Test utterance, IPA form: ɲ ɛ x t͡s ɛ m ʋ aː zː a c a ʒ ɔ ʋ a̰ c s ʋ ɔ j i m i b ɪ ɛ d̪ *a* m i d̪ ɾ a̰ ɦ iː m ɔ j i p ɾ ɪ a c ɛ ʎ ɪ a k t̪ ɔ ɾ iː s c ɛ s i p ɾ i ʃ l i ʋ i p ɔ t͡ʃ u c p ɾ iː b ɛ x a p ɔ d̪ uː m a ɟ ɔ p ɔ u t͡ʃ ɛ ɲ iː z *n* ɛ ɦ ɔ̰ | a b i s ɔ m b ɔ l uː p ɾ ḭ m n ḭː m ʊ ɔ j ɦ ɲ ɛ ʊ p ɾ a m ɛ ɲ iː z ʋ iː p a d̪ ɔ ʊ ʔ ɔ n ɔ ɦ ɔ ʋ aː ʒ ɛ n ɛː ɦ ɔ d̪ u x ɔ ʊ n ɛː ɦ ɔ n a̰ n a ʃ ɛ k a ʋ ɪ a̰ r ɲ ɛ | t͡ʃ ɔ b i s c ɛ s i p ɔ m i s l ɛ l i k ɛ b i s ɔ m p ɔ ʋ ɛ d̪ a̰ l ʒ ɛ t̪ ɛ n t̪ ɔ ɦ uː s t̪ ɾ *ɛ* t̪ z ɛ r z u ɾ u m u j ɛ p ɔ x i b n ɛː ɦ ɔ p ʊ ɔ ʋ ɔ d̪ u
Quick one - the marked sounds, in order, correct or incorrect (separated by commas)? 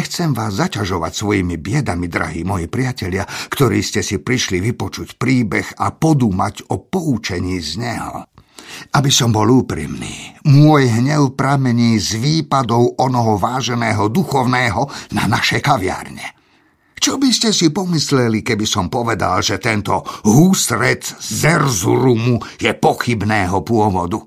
correct, incorrect, correct